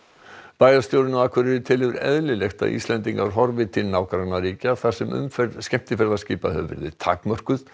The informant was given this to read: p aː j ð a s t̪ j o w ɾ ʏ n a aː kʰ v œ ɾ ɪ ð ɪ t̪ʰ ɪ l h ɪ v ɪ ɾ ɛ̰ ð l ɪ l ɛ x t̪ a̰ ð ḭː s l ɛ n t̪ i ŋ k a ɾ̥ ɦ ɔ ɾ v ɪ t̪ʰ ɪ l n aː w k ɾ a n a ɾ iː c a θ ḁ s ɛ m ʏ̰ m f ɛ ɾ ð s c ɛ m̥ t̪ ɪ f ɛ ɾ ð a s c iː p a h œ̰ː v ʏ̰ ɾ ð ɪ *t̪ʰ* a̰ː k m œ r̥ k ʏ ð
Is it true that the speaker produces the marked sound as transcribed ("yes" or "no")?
yes